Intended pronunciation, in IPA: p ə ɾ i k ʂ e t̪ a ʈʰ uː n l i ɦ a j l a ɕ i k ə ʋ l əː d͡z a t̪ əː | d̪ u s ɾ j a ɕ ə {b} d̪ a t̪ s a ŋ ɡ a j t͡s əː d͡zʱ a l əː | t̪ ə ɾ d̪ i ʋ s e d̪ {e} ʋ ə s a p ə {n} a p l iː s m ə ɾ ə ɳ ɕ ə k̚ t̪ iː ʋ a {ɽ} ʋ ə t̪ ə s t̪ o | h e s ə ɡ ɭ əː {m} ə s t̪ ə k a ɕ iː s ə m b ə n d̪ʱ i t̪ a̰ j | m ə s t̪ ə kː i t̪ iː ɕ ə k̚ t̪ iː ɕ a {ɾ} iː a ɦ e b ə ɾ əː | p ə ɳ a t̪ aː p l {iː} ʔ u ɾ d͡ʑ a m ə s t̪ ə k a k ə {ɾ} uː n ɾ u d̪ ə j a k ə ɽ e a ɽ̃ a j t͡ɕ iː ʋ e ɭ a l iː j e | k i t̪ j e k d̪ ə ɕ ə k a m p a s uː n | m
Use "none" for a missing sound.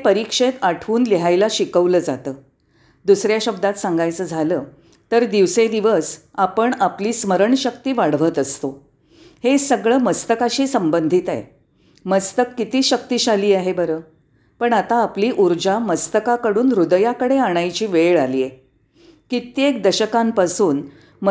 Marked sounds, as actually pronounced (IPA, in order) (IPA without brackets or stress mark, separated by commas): b, i, ɳ, ɽ, m, l, iː, ɽ